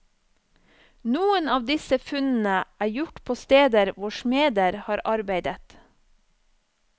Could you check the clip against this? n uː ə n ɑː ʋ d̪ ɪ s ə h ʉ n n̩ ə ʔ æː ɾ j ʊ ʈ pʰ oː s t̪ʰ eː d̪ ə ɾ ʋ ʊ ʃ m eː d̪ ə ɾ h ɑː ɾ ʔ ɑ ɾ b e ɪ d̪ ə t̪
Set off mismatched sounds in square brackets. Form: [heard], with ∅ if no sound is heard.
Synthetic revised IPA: n uː ə n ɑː ʋ d̪ ɪ s ə [f] ʉ n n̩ ə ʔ æː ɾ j ʊ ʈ pʰ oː s [t̪] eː d̪ ə ɾ ʋ ʊ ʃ m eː d̪ ə ɾ h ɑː ɾ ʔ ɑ ɾ b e ɪ d̪ ə t̪